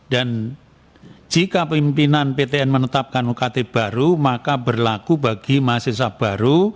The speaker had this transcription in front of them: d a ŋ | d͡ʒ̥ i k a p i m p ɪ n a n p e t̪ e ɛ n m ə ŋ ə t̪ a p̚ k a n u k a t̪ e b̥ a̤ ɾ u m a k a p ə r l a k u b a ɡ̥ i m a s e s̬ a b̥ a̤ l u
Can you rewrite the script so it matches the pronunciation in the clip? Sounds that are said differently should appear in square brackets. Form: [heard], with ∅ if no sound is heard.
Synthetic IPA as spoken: d a [n] | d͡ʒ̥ i k a p i m p [i] n a n p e t̪ e ɛ n m ə [n] ə t̪ a p̚ k a n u k a t̪ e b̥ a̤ ɾ u m a k a [b] ə r l a k u b a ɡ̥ i m a s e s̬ a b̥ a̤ [ɾ] u